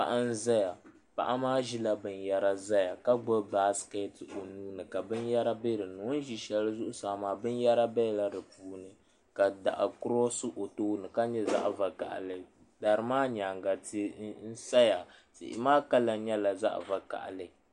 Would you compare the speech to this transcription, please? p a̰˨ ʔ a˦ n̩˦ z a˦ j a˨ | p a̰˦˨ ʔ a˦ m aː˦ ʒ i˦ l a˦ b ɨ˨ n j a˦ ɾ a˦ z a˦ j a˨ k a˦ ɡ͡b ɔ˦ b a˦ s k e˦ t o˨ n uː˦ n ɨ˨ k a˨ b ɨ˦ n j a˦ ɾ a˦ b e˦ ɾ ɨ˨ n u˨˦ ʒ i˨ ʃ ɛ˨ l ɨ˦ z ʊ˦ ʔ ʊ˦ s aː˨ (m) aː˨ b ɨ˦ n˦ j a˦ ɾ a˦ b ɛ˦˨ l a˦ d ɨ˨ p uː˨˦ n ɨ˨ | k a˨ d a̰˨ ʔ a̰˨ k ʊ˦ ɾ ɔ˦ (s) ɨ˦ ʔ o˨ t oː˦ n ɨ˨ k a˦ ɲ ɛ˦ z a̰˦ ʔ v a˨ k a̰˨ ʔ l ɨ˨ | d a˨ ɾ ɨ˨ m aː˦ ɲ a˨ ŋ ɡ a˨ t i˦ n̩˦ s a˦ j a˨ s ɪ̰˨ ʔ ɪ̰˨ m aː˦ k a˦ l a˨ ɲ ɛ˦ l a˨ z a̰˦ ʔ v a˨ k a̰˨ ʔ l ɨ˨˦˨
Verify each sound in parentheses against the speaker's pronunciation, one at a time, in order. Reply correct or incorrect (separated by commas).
correct, correct